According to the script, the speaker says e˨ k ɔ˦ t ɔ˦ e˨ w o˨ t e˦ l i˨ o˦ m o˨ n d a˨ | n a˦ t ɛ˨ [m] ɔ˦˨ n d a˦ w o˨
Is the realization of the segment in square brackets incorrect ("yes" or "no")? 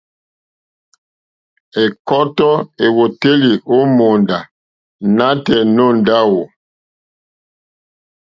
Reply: yes